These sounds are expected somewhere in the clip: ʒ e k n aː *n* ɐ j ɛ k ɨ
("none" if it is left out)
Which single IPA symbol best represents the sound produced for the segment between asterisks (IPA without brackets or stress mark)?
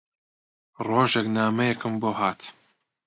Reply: m